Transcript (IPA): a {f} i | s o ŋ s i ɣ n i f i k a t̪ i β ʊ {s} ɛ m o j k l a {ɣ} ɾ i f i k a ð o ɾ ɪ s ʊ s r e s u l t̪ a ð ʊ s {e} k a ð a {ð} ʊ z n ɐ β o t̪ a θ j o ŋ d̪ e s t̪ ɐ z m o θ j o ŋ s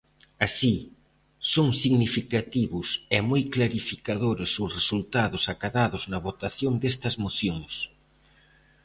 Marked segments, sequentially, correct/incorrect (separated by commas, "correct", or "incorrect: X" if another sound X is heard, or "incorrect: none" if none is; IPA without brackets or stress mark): incorrect: s, correct, incorrect: none, incorrect: a, correct